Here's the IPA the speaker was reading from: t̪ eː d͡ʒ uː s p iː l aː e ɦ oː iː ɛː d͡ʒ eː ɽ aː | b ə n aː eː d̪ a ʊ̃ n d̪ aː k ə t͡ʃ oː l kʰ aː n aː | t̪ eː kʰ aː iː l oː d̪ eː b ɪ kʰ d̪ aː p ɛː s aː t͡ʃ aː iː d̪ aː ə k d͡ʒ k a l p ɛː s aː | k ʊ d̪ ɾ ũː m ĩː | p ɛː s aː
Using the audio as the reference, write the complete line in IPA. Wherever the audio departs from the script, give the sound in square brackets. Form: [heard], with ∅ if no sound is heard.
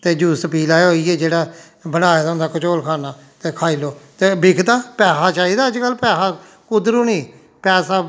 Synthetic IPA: t̪ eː d͡ʒ uː s p iː l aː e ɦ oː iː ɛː d͡ʒ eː ɽ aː | b ə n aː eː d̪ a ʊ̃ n d̪ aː k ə t͡ʃ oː l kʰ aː n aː | t̪ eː kʰ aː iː l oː [t̪] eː b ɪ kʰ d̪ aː p ɛː s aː t͡ʃ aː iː d̪ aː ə [∅] d͡ʒ k [ə] l p ɛː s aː | k ʊ d̪ ɾ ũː [n] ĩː | p ɛː s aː

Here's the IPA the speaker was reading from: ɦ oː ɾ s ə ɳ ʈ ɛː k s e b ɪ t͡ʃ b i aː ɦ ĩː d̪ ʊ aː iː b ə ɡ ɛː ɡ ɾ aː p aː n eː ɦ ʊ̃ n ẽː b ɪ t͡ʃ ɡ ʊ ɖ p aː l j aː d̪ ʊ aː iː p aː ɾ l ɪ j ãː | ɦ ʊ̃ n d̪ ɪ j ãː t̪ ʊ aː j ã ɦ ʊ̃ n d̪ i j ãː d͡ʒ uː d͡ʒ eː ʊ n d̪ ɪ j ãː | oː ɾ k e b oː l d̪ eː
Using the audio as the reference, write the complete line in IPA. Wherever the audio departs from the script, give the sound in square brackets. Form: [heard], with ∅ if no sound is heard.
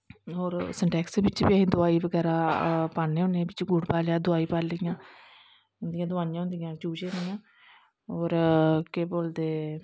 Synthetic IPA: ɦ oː ɾ s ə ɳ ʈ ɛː k s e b ɪ t͡ʃ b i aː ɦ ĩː d̪ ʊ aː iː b ə ɡ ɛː [∅] ɾ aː p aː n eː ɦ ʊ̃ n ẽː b ɪ t͡ʃ ɡ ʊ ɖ p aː l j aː d̪ ʊ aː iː p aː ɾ l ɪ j ãː | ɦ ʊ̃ n d̪ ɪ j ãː [d̪] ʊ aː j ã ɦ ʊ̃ n d̪ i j ãː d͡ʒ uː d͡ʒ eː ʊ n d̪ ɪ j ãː | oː ɾ k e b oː l d̪ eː

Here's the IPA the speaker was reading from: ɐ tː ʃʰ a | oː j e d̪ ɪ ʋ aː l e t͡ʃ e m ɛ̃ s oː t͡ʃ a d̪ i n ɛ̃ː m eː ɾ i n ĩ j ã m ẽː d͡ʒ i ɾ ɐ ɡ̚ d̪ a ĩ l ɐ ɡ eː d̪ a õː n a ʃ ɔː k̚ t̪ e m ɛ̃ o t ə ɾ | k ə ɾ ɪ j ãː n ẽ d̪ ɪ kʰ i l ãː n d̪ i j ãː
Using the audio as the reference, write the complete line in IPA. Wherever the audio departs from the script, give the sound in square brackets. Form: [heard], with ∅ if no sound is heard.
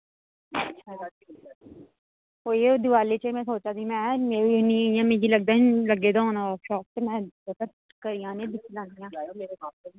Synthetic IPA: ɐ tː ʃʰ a | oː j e d̪ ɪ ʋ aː l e t͡ʃ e m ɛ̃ s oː t͡ʃ a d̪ i [m] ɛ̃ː m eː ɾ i n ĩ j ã m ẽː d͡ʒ i [l] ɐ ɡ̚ d̪ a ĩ l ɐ ɡ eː d̪ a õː n a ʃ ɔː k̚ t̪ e m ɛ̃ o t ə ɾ | k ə ɾ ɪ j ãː n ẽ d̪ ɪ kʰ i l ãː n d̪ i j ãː

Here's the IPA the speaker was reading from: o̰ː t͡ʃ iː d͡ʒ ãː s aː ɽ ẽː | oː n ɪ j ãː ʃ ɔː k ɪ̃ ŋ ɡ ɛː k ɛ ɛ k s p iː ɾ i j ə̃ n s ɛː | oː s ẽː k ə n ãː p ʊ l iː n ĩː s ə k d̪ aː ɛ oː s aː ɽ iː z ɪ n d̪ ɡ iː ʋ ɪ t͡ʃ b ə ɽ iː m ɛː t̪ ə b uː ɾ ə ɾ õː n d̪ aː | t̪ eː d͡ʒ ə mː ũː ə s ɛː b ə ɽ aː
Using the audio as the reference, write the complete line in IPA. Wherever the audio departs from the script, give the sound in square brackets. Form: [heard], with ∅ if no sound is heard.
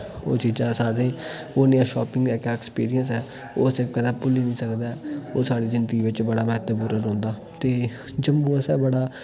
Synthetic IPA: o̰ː t͡ʃ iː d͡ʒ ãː s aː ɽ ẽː | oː n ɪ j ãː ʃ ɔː [p] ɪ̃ ŋ ɡ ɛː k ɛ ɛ k s p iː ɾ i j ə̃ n s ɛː | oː s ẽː k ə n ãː p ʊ l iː n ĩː s ə k d̪ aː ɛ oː s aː ɽ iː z ɪ n d̪ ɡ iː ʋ ɪ t͡ʃ b ə ɽ [aː] m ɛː t̪ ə b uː ɾ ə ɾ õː n d̪ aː | t̪ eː d͡ʒ ə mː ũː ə s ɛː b ə ɽ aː

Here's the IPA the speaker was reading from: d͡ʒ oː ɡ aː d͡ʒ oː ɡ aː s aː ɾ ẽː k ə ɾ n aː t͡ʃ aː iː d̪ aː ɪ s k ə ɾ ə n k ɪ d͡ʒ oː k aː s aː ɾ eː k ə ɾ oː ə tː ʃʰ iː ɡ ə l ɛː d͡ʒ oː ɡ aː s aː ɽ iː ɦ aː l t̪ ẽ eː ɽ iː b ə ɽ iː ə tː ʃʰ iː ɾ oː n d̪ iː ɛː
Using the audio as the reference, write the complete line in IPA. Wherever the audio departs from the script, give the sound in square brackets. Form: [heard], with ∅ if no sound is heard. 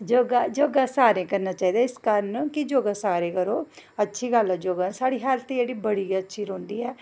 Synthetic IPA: d͡ʒ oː ɡ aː d͡ʒ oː ɡ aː s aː ɾ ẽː k ə ɾ n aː t͡ʃ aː iː d̪ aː ɪ s k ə ɾ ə n k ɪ d͡ʒ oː [ɡ] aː s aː ɾ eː k ə ɾ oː ə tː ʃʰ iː ɡ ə l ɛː d͡ʒ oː ɡ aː s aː ɽ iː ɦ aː l t̪ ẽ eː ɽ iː b ə ɽ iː ə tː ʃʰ iː ɾ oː n d̪ iː ɛː

